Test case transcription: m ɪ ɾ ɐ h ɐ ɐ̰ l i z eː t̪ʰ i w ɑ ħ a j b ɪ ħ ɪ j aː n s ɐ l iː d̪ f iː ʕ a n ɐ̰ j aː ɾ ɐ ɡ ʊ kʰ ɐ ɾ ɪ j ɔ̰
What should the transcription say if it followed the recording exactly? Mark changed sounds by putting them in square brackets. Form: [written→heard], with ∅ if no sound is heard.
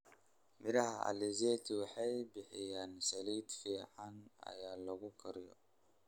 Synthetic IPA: m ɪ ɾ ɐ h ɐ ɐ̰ l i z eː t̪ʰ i w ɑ ħ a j b ɪ ħ ɪ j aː n s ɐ l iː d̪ f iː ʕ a n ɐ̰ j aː [ɾ→l] ɐ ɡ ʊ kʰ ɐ ɾ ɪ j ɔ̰